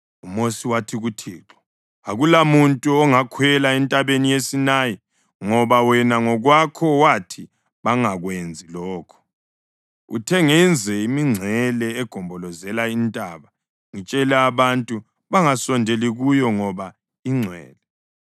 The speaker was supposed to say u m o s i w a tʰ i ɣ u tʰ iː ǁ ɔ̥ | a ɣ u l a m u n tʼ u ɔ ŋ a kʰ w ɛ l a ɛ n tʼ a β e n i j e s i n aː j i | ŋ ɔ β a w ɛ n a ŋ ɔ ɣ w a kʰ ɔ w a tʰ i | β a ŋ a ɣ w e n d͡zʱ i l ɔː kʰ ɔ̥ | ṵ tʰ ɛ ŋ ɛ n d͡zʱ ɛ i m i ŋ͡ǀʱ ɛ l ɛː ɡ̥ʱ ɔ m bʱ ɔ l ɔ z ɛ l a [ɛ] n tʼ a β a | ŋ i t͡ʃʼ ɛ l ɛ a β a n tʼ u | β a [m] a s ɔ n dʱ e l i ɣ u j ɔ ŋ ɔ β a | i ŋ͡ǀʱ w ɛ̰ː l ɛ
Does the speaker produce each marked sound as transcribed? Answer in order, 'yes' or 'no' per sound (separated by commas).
no, no